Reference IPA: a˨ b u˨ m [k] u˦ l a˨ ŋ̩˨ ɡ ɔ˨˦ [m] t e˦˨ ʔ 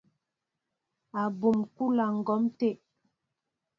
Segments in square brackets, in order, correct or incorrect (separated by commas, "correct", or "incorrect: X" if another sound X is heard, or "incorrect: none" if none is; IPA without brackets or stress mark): correct, correct